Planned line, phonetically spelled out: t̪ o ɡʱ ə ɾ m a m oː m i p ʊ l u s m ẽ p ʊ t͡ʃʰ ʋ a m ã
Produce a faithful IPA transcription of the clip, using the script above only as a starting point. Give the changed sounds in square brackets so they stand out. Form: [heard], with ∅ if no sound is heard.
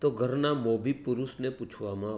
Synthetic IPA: t̪ o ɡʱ ə ɾ [n] a m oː [b] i p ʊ [ɾ] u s [n] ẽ p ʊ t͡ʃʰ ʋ a m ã